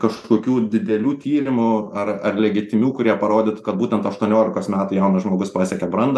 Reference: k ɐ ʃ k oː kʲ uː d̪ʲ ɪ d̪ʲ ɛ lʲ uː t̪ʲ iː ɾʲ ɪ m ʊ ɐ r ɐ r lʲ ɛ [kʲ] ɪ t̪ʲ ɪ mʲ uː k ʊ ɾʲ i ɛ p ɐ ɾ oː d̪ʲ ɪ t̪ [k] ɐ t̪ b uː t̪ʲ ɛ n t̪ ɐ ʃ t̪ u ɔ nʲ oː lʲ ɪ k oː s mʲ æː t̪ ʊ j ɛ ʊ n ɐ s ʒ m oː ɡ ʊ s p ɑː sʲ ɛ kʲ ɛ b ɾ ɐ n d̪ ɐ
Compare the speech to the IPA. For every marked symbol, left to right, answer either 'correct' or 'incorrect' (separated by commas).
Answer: incorrect, correct